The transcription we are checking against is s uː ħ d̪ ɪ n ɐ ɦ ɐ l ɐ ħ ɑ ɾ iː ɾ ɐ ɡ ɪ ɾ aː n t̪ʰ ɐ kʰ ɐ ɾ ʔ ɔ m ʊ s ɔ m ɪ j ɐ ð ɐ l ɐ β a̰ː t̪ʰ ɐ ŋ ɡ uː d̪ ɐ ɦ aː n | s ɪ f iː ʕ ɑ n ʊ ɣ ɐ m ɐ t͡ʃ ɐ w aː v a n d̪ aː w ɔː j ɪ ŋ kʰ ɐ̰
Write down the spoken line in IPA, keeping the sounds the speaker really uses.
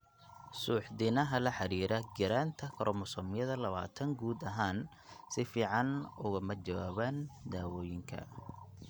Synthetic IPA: s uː ħ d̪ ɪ n ɐ ɦ ɐ l ɐ ħ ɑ ɾ iː ɾ ɐ ɡ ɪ ɾ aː n t̪ʰ ɐ kʰ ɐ ɾ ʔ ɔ m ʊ s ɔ m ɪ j ɐ ð ɐ l ɐ β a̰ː t̪ʰ ɐ ŋ ɡ uː d̪ ɐ ɦ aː n | s ɪ f iː ʕ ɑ n ʊ ɣ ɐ m ɐ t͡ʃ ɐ w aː β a n d̪ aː w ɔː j ɪ ŋ kʰ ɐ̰